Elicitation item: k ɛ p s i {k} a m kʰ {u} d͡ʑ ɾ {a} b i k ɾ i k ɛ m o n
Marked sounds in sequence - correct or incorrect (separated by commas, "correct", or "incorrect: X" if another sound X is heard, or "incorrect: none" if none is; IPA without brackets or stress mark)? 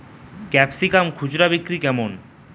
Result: correct, correct, correct